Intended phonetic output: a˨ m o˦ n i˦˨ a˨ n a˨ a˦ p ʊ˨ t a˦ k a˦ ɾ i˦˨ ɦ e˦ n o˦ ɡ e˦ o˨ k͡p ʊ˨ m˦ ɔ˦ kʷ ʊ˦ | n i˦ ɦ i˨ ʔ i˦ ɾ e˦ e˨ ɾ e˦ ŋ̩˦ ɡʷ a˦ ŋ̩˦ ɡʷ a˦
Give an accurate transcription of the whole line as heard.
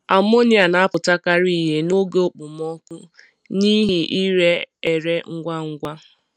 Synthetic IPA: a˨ m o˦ n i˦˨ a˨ n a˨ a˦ p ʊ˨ t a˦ k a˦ ɾ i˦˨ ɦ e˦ n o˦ ɡ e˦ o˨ k͡p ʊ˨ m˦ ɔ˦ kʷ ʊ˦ | n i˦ ɦ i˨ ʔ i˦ ɾ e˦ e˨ ɾ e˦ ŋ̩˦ ɡʷ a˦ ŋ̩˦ ɡʷ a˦